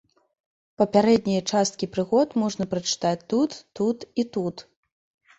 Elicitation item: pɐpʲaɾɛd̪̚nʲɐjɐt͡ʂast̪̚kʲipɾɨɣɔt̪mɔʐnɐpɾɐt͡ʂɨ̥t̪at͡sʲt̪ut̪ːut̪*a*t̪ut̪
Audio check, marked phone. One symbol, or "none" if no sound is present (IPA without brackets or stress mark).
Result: i